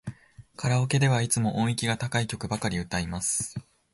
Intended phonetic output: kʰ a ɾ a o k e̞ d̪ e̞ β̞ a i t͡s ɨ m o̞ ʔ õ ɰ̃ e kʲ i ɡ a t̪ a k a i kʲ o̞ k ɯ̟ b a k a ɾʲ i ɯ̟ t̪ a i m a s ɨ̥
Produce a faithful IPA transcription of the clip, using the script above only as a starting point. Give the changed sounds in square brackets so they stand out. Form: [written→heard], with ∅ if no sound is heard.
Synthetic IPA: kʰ a ɾ a o k e̞ d̪ e̞ β̞ a i t͡s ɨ m o̞ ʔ õ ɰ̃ [e→i] kʲ i ɡ a t̪ a k a i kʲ o̞ k ɯ̟ b a k a ɾʲ i ɯ̟ t̪ a i m a s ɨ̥